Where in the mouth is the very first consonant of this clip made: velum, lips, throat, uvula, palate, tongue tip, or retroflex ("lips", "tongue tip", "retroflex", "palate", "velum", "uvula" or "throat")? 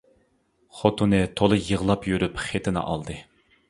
uvula